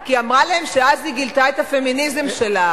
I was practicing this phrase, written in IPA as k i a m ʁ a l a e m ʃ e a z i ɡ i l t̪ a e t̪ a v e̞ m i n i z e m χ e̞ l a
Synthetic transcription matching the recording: k i a m ʁ a l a e m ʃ e a z i ɡ i l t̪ a e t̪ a f e̞ m i n i z e m ʃ e̞ l a